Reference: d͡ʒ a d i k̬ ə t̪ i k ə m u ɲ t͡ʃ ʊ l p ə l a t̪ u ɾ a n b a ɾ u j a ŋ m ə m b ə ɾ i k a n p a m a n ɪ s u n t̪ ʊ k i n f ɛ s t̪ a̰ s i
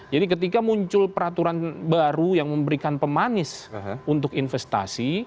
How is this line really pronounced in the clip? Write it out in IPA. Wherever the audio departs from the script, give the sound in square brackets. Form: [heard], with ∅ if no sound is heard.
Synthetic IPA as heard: d͡ʒ a d i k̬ ə t̪ i k [a] m u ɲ t͡ʃ ʊ l p ə [ɾ] a t̪ u ɾ a n b a ɾ u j a ŋ m ə m b ə ɾ i k a n p [ə] m a n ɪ s u n t̪ ʊ k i n f ɛ s t̪ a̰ s i

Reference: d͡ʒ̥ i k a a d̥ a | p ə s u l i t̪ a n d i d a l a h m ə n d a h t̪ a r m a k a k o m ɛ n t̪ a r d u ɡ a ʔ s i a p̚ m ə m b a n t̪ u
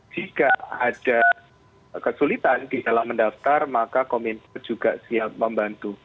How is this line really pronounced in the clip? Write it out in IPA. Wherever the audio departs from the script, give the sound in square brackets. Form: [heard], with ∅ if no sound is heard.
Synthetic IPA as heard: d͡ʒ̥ i k a a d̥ a | [k] ə s u l i t̪ a n d i d a l a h m ə n d a [f] t̪ a r m a k a k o m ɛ n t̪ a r [d͡ʒ] u ɡ a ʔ s i a p̚ m ə m b a n t̪ u

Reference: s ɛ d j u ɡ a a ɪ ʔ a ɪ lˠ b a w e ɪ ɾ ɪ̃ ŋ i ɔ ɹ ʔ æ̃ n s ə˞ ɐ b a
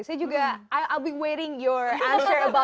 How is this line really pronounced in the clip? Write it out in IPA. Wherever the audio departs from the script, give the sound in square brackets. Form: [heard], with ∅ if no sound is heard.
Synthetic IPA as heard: s ɛ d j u ɡ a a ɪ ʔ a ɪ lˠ b [i] w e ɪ ɾ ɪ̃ ŋ [j] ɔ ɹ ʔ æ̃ n s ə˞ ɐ b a

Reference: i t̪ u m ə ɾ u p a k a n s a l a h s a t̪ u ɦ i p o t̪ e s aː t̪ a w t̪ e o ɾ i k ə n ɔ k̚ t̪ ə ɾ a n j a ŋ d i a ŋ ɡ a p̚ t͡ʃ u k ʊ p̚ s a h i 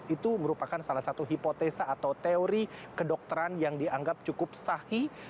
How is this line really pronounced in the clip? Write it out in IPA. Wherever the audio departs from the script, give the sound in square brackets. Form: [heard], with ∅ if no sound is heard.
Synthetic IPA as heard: i t̪ u m ə ɾ u p a k a n s a l a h s a t̪ u ɦ i p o t̪ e s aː t̪ a w t̪ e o ɾ i k ə [d] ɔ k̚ t̪ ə ɾ a n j a ŋ d i a ŋ ɡ a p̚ t͡ʃ u k ʊ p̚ s a h i

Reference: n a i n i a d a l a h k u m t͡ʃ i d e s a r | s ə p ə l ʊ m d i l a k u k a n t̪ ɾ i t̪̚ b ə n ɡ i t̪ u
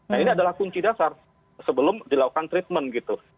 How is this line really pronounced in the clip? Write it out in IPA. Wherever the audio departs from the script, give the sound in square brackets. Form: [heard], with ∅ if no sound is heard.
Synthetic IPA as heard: n a i n i a d a l a h k u [ɲ] t͡ʃ i d [a] s a r | s ə [b] ə l ʊ m d i l a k u k a n t̪ ɾ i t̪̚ [m] ə n ɡ i t̪ u

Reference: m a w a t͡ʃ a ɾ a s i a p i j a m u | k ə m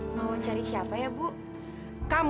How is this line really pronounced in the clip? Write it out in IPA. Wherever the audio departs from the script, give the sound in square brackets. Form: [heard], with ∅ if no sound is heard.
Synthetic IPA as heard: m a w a t͡ʃ a ɾ [i] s i a p [a] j a [b] u | k [a] m

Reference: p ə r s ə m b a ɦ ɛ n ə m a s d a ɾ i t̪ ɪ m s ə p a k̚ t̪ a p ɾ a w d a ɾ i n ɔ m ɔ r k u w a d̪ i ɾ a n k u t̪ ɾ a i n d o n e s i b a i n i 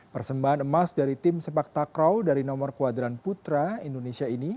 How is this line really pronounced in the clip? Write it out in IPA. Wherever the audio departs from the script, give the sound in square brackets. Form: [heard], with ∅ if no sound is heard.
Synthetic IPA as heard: p ə r s ə m b a ɦ [a] n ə m a s d a ɾ i t̪ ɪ m s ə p a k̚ t̪ a [k] ɾ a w d a ɾ i n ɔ m ɔ r k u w a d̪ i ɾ a n [p] u t̪ ɾ a i n d o n e s i [∅] a i n i

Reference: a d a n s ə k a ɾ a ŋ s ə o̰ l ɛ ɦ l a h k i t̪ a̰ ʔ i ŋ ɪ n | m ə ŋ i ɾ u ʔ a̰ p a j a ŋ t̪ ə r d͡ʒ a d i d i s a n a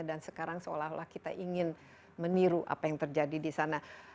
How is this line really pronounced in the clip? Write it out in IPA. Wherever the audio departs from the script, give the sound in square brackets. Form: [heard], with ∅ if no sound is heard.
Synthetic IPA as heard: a d a n s ə k a ɾ a ŋ s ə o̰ l [a] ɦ l a h k i t̪ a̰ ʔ i ŋ ɪ n | m ə [n] i ɾ u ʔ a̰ p a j a ŋ t̪ ə r d͡ʒ a d i d i s a n a

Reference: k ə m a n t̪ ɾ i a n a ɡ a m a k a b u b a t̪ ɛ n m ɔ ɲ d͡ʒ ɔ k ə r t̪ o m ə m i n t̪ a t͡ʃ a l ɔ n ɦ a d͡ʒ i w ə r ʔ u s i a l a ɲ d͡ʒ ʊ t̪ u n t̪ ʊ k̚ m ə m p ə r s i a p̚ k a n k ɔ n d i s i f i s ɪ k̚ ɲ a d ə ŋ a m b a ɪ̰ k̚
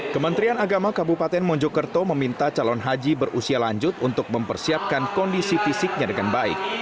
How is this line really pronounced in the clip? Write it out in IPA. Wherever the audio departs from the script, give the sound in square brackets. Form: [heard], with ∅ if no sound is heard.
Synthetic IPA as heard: k ə m [ə] n t̪ ɾ i a n a ɡ a m a k a b u [p] a t̪ ɛ n m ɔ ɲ d͡ʒ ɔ k ə r t̪ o m ə m i n t̪ a t͡ʃ a l ɔ n ɦ a d͡ʒ i [b] ə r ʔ u s i a l a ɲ d͡ʒ ʊ t̪ u n t̪ ʊ k̚ m ə m p ə r s i a p̚ k a n k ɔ n d i s i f i s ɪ k̚ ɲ a d ə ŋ a [n] b a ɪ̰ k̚

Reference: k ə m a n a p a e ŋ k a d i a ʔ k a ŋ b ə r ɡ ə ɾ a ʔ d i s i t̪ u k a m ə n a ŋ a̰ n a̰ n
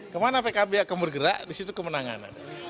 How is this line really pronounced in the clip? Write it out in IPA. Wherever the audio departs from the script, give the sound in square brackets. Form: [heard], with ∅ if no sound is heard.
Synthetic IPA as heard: k ə m a n a p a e [∅] k a [b] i a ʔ k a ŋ b ə r ɡ ə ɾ a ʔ d i s i t̪ u k [ə] m ə n a ŋ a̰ n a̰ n

